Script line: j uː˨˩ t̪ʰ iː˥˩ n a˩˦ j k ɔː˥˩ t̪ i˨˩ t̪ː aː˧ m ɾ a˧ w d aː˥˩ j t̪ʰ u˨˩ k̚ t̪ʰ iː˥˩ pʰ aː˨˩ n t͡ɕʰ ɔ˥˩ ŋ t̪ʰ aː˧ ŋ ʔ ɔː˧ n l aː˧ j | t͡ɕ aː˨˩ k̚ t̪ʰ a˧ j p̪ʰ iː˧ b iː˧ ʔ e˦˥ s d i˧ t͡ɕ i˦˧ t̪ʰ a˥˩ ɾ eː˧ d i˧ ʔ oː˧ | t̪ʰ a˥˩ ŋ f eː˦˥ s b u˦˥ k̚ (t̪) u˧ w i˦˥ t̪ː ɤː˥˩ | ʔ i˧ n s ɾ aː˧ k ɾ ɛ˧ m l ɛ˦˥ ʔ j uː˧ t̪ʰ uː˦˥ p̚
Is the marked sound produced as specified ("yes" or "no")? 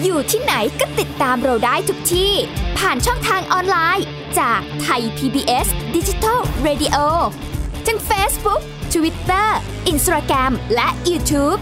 no